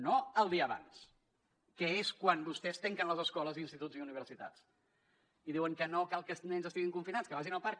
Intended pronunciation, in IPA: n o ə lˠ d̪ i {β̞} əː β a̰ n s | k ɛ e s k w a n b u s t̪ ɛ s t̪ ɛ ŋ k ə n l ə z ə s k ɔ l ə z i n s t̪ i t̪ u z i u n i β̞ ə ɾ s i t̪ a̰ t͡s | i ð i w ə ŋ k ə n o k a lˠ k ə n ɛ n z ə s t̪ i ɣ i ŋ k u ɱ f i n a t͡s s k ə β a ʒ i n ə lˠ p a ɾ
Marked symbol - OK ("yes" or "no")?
no